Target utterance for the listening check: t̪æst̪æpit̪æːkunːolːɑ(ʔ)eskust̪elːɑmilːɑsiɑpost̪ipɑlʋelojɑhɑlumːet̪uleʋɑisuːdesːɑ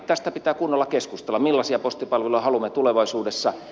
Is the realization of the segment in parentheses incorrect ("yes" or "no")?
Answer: yes